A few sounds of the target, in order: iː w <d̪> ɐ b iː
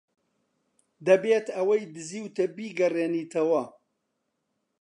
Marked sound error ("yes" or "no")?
yes